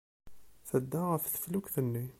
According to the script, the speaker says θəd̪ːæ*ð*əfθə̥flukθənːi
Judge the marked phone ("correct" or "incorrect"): incorrect